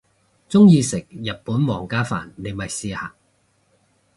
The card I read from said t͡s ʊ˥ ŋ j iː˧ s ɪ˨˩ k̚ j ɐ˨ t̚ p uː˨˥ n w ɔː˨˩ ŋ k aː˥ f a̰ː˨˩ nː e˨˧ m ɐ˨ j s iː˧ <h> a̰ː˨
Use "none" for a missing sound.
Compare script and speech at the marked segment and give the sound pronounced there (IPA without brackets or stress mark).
h